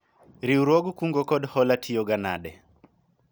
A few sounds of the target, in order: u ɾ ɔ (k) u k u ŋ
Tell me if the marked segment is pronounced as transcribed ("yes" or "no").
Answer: no